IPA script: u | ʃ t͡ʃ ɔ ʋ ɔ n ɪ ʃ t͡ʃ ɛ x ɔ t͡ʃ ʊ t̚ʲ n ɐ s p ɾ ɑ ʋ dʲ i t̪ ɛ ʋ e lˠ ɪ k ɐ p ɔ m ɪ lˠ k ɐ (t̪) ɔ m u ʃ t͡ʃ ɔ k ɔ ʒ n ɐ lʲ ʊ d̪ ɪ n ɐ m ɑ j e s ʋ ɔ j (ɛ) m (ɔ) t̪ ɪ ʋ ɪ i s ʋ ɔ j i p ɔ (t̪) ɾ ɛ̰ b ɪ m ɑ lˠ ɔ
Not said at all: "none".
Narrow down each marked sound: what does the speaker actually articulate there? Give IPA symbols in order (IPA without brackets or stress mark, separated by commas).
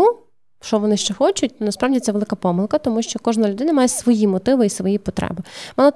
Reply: t̪, i, ɔ, t̪